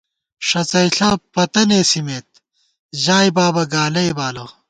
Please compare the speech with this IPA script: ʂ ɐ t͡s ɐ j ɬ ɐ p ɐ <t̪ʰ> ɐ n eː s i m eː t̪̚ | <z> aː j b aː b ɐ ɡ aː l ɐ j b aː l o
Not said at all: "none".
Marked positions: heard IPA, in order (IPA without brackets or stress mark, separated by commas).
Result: t̪, ʑ